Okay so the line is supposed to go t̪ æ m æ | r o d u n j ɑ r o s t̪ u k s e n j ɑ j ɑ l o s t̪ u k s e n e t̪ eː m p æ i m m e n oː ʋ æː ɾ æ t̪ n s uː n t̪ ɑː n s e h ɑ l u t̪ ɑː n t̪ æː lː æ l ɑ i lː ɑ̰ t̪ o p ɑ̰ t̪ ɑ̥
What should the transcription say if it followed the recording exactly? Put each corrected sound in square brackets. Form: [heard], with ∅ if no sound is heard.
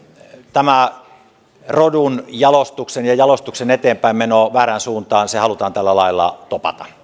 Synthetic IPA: t̪ æ m æ | r o d u n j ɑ [l] o s t̪ u k s e n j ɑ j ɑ l o s t̪ u k s e n e t̪ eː m p æ i m m e n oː ʋ æː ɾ æ [∅] n s uː n t̪ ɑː n s e h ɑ l u t̪ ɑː n t̪ [æ] lː æ l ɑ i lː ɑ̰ t̪ o p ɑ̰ t̪ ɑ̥